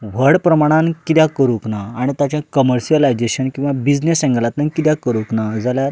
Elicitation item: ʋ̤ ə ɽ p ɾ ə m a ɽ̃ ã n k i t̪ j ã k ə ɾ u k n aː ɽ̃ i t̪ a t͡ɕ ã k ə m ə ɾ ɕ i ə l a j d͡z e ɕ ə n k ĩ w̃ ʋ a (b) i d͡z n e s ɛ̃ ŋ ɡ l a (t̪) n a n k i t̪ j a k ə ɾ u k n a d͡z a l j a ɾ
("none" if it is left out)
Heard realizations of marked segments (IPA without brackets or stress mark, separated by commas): b, t̪